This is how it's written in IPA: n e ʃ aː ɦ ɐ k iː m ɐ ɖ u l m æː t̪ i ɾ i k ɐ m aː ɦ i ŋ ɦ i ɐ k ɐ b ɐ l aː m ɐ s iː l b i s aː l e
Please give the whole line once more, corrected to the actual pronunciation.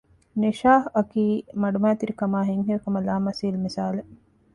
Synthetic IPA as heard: n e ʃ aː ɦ ɐ k iː m ɐ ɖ u m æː t̪ i ɾ i k ɐ m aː ɦ i ŋ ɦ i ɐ k ɐ m ɐ l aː m ɐ s iː l m i s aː l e